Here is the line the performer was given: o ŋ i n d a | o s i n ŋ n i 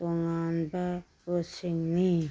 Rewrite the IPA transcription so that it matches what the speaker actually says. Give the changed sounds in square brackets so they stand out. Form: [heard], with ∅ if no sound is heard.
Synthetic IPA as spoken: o ŋ [a] n [b] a | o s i [∅] ŋ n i